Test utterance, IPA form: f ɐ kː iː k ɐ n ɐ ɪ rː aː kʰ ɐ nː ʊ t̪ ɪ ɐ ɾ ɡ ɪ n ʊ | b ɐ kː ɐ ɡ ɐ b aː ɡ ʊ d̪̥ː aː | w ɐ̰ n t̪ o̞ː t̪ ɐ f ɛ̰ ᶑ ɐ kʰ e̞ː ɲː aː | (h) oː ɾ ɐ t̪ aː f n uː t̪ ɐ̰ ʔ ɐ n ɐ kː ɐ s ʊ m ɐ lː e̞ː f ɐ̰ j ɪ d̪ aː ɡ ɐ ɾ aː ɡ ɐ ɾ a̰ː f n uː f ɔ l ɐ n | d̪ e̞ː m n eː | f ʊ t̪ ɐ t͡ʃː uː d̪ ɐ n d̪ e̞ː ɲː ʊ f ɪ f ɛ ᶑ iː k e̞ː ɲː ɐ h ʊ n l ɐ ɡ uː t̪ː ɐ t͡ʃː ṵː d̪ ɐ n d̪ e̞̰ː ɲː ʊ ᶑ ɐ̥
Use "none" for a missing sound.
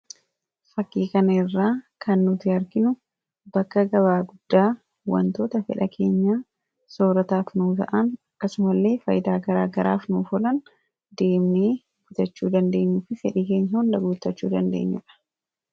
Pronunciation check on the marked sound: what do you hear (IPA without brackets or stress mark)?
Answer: s